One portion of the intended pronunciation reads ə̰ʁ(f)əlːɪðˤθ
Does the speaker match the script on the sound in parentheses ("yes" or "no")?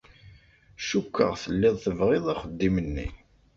no